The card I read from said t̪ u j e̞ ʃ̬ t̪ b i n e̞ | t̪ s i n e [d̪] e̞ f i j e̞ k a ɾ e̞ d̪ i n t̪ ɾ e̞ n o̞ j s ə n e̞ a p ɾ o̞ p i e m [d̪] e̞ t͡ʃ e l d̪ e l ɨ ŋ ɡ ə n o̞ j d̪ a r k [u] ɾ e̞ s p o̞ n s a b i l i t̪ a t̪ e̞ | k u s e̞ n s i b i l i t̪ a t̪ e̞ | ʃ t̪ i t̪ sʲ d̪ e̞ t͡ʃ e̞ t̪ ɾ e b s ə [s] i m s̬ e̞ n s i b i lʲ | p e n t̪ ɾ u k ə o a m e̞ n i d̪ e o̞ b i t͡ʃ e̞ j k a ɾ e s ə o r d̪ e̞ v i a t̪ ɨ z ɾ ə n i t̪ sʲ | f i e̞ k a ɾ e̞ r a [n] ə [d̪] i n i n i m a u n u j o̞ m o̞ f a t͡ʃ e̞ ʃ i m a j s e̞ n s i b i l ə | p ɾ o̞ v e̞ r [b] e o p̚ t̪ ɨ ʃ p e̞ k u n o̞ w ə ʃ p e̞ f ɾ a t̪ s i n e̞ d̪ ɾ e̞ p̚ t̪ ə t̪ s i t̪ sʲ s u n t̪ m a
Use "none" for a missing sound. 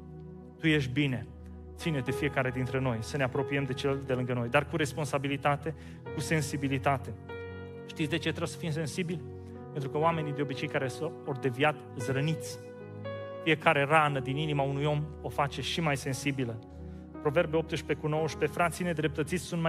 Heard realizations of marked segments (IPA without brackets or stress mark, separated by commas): d̪, d̪, u, f, n, d̪, b